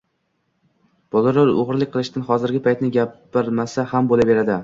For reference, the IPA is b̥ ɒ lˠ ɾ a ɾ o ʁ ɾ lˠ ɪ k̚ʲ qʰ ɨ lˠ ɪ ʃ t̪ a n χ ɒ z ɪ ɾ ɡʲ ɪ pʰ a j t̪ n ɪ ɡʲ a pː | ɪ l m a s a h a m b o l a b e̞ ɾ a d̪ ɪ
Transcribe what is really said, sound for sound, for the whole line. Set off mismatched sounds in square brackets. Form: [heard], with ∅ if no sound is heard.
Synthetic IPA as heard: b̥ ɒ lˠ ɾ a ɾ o ʁ ɾ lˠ ɪ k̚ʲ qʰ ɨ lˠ ɪ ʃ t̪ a n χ ɒ z ɪ ɾ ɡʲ ɪ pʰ a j t̪ n ɪ ɡʲ a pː | ɪ [ɾ] m a s a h a m b o l a b e̞ ɾ a d̪ ɪ